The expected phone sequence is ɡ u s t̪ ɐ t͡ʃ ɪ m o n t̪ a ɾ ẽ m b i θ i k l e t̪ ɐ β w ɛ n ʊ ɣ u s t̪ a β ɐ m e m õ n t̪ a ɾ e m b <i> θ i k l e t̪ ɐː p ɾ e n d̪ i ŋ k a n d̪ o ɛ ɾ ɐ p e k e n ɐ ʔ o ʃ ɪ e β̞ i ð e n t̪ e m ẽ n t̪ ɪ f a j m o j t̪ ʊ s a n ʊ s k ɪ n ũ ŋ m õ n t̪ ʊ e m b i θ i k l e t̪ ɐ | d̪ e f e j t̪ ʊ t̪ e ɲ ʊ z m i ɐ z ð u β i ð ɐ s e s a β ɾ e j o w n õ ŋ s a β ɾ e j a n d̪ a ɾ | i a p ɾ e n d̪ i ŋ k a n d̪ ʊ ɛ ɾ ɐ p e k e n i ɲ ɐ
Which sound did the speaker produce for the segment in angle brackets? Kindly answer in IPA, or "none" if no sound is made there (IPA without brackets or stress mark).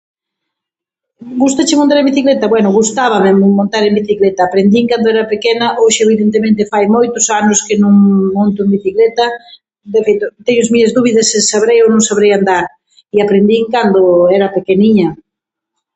i